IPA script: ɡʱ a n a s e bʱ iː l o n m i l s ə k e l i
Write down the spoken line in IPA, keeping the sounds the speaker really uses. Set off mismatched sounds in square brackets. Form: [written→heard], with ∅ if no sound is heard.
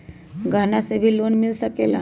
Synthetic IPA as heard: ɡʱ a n a s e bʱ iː l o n m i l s ə k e l [i→a]